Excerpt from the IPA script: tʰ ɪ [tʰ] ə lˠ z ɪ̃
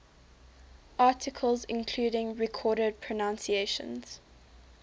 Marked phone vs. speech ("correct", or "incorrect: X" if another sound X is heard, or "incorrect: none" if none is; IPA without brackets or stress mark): incorrect: kʰ